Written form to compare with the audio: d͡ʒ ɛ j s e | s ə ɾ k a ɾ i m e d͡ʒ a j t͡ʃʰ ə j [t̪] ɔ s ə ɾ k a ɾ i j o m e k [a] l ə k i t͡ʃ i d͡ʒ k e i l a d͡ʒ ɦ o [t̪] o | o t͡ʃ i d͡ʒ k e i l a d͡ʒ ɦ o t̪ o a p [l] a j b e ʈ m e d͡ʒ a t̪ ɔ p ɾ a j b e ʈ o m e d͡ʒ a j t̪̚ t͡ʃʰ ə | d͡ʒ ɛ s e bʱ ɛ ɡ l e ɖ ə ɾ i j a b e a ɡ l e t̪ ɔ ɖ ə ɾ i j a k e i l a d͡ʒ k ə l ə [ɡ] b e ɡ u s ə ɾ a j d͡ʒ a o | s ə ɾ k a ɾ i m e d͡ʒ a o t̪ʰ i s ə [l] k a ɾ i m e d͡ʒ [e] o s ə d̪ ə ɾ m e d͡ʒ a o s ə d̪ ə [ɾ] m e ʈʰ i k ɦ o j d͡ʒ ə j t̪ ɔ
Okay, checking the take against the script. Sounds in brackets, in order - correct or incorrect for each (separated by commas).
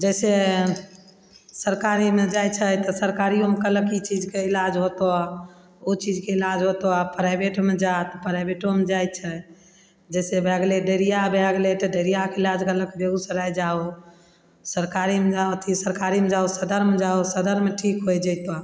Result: correct, incorrect, correct, incorrect, incorrect, incorrect, incorrect, correct